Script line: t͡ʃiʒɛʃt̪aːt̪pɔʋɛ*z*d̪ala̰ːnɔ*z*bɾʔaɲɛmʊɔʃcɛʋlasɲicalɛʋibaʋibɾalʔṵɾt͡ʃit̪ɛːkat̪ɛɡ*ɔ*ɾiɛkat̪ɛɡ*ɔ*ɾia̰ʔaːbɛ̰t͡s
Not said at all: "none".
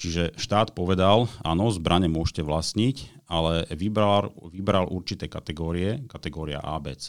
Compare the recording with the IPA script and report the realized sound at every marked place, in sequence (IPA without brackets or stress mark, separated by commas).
none, z, ɔː, ɔː